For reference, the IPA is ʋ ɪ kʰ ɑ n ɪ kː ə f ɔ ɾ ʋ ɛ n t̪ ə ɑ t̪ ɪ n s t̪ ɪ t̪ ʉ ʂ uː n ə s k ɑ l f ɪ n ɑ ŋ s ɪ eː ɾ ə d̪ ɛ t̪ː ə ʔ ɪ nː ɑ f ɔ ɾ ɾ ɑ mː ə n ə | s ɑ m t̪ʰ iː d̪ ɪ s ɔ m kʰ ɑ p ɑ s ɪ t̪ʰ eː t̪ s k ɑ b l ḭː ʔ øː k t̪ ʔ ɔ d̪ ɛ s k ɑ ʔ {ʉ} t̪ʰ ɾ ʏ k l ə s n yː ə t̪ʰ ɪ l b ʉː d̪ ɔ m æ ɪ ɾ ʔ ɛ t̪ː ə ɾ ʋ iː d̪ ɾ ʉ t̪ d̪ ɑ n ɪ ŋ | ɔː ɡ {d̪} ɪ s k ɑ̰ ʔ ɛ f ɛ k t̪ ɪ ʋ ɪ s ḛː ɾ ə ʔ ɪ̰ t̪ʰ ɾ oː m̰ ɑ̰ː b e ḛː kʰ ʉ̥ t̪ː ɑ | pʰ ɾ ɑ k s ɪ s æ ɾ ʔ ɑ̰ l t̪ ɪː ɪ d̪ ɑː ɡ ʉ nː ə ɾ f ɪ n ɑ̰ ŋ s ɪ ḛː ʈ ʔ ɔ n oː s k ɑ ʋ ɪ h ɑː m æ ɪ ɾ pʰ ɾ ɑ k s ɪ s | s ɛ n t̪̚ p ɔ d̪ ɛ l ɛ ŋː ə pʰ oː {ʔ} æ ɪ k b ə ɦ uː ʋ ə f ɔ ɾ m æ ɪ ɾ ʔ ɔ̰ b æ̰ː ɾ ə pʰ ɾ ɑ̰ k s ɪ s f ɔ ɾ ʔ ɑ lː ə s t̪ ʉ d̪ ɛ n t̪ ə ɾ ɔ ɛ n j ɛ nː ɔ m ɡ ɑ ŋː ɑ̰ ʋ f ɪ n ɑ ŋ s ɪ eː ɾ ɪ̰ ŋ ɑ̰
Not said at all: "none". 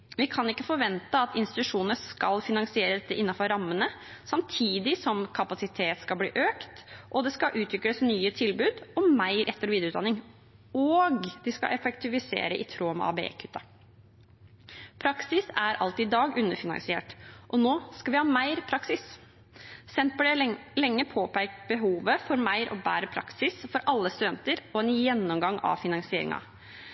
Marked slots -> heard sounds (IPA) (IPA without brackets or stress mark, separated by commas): ʉː, d̪, p